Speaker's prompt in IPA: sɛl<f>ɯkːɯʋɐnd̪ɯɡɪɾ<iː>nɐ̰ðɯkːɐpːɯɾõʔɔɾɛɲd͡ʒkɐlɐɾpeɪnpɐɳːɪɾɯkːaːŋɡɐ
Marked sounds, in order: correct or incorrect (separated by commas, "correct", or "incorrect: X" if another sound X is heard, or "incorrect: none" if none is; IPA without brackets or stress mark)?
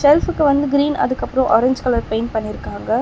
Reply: correct, correct